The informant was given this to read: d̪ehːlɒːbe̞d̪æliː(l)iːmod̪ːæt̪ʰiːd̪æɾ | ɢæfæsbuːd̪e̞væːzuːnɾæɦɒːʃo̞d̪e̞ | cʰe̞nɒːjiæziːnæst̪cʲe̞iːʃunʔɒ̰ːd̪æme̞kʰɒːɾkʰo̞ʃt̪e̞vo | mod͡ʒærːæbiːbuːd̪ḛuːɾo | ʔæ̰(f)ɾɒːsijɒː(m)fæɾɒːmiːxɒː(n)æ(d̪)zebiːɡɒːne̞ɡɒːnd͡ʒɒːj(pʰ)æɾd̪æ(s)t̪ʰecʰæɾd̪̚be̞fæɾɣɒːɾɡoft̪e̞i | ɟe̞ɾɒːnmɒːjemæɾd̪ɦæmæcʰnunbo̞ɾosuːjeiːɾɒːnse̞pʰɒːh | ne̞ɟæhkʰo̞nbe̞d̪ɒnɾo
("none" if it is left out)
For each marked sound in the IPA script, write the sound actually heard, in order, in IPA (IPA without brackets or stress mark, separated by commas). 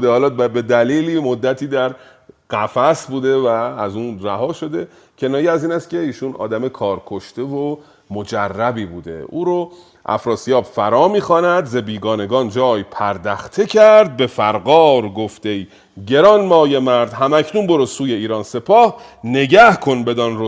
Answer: l, f, b, n, d̪, pʰ, x